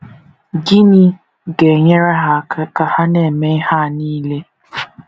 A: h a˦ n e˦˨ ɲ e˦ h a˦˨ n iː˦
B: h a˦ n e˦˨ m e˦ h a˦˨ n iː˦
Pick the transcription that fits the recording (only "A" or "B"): B